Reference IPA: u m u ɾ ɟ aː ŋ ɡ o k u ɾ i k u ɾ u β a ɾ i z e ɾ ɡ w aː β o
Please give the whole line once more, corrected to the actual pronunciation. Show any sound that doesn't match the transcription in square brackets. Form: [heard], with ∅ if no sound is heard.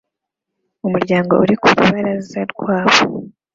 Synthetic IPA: u m u ɾ ɟ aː ŋ ɡ o [∅] u ɾ i k u ɾ u β a ɾ [a] z [a] ɾ ɡ w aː β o